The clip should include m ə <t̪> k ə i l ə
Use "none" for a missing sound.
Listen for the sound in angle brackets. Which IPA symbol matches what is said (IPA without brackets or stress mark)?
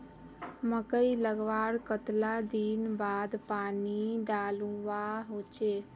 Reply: none